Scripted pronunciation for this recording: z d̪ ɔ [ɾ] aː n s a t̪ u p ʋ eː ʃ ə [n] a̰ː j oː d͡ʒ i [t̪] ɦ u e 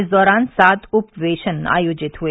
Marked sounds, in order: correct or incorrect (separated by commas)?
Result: correct, correct, correct